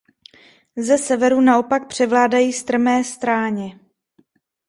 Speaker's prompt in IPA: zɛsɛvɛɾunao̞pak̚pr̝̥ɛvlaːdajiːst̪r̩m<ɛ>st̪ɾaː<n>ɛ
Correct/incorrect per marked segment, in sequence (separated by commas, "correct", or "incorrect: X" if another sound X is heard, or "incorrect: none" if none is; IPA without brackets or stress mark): incorrect: ɛː, incorrect: ɲ